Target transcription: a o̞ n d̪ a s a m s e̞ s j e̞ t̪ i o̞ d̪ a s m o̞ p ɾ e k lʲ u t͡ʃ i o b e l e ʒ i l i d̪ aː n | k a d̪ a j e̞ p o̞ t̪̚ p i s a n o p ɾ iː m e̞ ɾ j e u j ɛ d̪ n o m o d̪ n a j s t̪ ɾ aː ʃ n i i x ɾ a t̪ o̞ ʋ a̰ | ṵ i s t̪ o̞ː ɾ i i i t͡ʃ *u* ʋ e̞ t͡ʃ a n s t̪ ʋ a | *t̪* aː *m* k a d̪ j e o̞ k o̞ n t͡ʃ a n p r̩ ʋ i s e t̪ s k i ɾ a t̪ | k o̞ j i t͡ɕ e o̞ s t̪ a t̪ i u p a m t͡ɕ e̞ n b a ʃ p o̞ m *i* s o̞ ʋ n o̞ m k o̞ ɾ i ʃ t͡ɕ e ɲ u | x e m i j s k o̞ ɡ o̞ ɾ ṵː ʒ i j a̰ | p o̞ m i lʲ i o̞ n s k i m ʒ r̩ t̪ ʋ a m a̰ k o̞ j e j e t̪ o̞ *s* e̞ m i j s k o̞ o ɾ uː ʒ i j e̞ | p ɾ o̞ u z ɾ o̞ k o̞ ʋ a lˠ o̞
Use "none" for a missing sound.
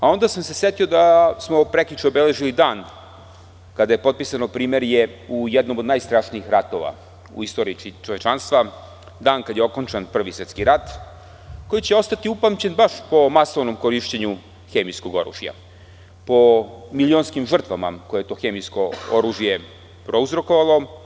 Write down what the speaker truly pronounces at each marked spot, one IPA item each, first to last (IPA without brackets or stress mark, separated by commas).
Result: o, d̪, n, a, x